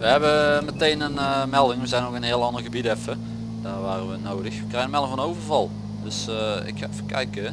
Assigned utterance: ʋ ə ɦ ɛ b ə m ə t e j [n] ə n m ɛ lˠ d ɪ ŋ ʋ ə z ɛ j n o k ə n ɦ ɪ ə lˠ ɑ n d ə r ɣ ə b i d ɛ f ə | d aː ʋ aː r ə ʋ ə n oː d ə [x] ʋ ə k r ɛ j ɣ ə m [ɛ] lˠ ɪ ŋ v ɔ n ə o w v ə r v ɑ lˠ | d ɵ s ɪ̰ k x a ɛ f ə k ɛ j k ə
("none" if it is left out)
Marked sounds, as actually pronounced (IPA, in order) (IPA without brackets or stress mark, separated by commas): n, x, ɛ